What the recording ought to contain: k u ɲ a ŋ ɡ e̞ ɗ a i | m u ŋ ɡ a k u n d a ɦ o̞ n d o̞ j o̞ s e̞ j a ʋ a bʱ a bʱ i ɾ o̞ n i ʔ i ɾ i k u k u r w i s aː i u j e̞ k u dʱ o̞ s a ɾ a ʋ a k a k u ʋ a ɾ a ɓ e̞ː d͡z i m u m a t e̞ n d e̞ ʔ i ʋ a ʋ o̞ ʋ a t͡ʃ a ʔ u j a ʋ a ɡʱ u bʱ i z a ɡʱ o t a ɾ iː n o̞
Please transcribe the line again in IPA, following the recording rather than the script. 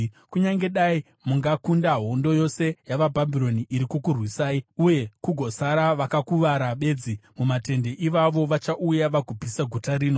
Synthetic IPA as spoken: k u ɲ a ŋ ɡ e̞ ɗ a i | m u ŋ ɡ a k u n d a ɦ o̞ n d o̞ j o̞ s e̞ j a ʋ a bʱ a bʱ i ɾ o̞ n i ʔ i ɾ i k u k u r w i s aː i u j e̞ k u ɡʱ o̞ s a ɾ a ʋ a k a k u ʋ a ɾ a ɓ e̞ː d͡z i m u m a t e̞ n d e̞ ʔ i ʋ a ʋ o̞ ʋ a t͡ʃ a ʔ u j a ʋ a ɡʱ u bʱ i s a ɡʱ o t a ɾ iː n o̞